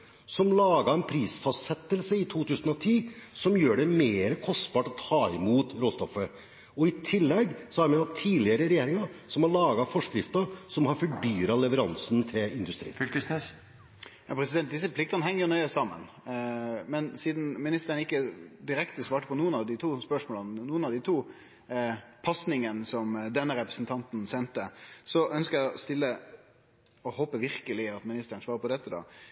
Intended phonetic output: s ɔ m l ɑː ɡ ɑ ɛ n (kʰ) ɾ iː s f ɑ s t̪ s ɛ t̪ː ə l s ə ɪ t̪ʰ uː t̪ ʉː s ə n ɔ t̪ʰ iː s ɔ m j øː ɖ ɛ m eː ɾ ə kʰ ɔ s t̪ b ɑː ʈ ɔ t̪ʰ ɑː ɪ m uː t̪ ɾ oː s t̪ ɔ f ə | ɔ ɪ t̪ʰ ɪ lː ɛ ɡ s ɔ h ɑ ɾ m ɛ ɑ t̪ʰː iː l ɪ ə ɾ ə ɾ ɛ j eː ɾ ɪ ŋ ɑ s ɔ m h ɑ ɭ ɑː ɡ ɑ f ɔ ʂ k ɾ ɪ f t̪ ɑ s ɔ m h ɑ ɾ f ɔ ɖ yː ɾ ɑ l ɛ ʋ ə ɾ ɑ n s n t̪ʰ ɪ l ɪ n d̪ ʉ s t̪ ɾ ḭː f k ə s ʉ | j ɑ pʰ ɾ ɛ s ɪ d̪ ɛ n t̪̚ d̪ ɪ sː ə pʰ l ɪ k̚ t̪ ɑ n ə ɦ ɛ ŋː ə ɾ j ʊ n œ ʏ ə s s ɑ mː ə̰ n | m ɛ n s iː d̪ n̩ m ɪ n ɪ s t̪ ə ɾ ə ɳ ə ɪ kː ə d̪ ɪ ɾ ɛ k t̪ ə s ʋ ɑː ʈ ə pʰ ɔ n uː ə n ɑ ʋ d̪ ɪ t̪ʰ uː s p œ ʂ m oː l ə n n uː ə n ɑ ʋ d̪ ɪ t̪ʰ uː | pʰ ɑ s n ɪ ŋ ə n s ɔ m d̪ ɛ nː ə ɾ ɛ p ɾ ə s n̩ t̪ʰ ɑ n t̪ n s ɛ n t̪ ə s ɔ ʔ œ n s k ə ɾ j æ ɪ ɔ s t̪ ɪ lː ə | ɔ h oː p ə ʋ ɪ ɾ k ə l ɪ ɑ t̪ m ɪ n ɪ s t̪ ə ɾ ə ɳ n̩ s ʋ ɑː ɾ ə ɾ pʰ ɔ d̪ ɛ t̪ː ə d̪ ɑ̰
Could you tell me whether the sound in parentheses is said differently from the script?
yes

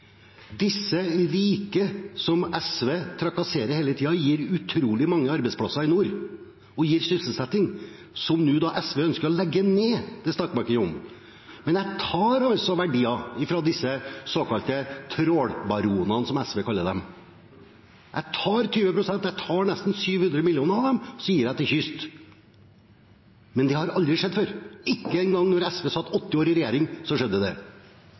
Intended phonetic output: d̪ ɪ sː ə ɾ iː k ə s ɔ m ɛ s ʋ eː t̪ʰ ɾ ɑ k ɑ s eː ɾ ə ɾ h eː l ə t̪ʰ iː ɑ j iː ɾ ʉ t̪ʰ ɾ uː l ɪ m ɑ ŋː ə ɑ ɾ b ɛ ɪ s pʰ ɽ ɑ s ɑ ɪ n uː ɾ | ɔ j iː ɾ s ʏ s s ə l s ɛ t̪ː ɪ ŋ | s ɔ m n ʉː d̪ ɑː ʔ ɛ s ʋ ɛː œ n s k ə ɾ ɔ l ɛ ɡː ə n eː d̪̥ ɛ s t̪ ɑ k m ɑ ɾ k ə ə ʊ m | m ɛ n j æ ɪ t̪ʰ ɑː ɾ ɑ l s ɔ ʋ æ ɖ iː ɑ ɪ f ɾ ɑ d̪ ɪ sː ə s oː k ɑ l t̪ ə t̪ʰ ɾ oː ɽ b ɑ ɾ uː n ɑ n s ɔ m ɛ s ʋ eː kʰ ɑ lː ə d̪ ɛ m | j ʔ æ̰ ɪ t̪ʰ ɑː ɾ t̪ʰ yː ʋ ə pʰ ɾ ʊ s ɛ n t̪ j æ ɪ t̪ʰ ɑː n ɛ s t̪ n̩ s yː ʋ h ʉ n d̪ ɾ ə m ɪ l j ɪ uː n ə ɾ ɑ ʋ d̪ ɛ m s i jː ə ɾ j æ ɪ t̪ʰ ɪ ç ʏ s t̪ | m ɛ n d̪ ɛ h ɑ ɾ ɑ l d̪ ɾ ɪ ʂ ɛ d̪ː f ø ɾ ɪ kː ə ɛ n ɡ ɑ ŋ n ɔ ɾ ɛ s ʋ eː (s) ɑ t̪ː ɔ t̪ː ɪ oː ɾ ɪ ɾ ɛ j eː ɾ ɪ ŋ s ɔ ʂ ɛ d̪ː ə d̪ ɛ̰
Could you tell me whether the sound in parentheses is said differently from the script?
no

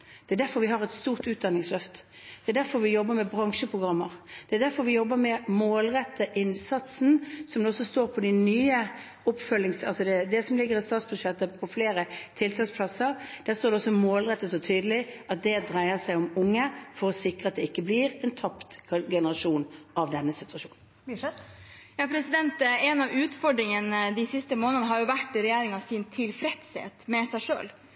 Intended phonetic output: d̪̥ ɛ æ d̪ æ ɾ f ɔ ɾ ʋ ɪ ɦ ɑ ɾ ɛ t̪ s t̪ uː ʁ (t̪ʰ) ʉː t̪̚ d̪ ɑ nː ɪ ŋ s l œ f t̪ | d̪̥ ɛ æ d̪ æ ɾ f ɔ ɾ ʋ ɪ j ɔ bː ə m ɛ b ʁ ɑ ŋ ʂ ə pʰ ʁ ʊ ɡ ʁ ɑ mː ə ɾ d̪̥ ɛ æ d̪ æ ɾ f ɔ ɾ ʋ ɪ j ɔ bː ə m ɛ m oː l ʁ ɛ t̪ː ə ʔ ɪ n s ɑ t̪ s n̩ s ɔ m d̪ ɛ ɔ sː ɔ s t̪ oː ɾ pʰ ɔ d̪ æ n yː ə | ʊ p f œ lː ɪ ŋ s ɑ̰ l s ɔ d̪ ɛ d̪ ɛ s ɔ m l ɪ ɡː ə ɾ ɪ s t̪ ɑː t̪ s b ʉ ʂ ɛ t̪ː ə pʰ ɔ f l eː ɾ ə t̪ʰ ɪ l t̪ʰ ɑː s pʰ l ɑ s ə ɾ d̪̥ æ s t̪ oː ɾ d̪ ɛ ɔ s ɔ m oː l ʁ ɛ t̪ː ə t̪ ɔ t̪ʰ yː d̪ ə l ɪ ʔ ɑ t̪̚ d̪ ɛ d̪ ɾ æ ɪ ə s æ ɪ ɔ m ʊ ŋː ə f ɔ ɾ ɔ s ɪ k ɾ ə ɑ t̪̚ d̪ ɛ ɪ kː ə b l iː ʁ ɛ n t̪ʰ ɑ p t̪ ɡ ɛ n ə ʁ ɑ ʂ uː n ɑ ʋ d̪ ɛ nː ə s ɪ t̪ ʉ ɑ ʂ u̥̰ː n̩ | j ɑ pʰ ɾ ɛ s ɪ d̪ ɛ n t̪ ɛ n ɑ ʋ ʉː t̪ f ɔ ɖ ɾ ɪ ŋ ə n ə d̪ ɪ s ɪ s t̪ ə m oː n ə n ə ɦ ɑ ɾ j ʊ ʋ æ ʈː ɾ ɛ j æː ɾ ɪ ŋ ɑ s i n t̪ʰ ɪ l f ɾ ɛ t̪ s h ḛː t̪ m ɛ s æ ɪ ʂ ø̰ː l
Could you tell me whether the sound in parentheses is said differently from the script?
yes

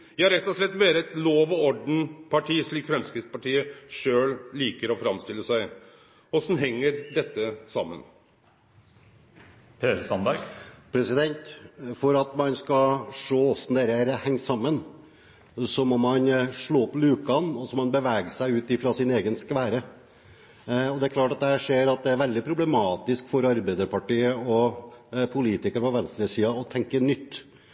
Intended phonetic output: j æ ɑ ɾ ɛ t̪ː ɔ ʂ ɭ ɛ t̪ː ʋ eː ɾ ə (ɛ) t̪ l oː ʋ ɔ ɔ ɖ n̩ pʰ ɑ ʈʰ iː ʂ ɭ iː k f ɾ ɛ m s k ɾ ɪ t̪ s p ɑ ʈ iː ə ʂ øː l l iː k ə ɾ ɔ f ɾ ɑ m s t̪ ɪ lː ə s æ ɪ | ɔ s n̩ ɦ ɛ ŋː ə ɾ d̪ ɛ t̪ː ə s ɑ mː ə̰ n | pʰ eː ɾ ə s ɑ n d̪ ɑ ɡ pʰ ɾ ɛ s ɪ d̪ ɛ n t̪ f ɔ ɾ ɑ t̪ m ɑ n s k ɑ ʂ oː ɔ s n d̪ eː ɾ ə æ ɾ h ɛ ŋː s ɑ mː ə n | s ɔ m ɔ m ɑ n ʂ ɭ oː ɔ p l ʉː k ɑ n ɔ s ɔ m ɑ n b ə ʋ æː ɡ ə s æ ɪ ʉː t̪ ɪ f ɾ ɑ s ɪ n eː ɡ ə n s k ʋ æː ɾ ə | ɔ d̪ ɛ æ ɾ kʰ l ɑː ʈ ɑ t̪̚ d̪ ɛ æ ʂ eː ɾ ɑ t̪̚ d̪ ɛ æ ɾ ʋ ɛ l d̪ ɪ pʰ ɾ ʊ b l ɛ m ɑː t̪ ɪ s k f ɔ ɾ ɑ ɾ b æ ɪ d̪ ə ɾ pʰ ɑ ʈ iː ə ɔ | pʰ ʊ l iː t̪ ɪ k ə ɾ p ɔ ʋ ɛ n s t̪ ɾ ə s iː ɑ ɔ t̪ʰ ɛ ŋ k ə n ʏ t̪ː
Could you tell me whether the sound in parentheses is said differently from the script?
no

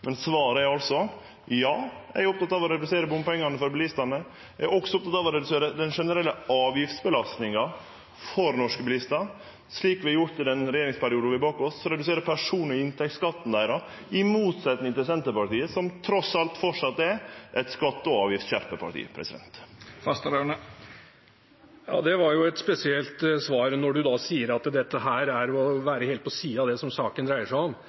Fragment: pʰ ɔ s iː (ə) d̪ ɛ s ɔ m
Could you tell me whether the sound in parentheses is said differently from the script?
yes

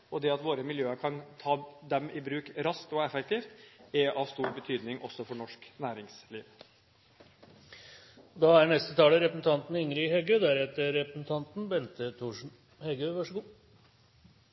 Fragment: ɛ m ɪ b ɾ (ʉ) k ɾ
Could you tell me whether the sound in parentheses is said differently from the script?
yes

